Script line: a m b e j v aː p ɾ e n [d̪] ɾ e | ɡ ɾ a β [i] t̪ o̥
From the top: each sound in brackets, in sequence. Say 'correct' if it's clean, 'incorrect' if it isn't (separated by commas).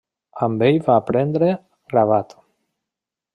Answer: correct, incorrect